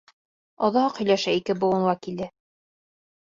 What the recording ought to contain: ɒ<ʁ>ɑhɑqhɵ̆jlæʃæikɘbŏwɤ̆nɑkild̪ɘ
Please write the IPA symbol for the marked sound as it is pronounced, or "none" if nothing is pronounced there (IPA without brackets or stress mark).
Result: ð